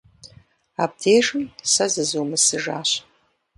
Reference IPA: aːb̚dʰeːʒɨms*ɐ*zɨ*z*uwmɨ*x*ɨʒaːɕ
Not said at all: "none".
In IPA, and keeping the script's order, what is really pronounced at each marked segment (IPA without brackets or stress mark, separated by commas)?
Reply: ɐ, z, s